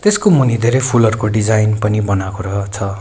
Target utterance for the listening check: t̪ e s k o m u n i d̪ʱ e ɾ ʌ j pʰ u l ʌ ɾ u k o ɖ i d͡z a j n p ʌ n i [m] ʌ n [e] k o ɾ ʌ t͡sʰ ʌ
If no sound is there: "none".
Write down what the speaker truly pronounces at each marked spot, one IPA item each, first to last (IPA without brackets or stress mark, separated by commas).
b, a